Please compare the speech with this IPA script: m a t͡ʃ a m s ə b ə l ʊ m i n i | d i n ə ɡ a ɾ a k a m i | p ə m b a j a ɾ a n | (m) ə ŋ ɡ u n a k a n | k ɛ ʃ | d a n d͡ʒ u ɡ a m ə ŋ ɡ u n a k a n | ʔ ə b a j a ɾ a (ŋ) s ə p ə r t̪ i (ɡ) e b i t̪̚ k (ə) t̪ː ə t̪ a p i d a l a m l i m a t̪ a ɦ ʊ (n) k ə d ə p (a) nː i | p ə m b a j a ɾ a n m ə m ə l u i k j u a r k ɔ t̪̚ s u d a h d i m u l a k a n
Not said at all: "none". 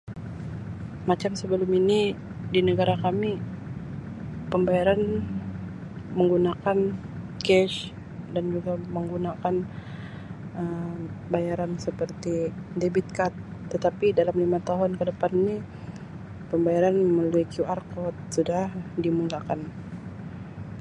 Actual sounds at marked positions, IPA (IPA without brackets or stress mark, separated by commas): m, n, d, a, n, a